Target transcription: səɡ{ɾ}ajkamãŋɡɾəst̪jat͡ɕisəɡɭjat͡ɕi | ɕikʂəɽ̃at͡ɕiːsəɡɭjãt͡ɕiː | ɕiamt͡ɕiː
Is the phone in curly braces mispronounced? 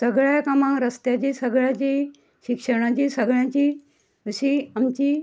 yes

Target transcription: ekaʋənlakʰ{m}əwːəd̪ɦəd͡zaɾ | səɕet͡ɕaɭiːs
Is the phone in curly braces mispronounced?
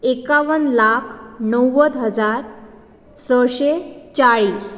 yes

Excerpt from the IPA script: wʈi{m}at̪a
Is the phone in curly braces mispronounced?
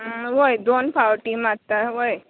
no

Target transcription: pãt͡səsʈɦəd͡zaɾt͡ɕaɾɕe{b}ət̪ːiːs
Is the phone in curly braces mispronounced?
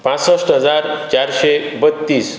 no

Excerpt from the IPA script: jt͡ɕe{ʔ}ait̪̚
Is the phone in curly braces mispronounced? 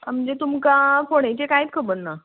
yes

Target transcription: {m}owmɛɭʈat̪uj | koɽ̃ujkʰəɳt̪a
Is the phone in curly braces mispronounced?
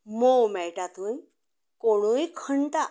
no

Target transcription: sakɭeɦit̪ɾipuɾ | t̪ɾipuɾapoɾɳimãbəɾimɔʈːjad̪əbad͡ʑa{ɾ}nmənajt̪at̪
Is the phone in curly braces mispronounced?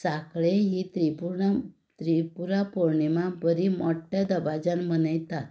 yes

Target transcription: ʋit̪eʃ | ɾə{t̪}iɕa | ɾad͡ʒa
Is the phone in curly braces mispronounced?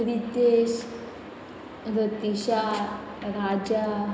no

